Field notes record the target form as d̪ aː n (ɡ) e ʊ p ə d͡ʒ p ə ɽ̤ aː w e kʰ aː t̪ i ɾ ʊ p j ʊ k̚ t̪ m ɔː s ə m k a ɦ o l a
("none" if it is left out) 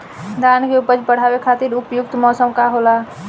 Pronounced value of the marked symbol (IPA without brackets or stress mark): k